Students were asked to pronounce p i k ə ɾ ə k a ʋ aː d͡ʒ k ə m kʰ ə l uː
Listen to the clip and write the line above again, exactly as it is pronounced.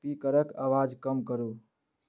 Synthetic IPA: p i k ə ɾ ə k a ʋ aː d͡ʒ k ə m k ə ɾ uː